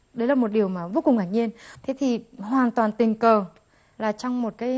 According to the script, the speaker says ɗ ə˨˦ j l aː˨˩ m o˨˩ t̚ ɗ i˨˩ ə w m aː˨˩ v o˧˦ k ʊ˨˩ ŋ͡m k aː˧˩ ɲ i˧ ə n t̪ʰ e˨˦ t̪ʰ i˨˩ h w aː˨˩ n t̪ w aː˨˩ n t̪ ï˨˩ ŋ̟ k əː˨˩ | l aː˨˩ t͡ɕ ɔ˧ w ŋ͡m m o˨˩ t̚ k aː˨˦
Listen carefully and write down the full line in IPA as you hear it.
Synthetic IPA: ɗ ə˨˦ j l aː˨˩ m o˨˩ t̚ ɗ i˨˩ ə w m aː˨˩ v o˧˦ k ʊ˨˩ ŋ͡m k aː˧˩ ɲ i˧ ə n t̪ʰ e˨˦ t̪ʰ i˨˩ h w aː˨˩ n t̪ w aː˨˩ n t̪ ï˨˩ ŋ̟ k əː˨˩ | l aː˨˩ t͡ɕ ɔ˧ w ŋ͡m m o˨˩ t̚ k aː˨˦